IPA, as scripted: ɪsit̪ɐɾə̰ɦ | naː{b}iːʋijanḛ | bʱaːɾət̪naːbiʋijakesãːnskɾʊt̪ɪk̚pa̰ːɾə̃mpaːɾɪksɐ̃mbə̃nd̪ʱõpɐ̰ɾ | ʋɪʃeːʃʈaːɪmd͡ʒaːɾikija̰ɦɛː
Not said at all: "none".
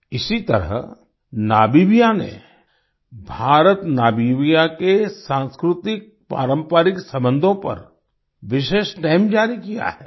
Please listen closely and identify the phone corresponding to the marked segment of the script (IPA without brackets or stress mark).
b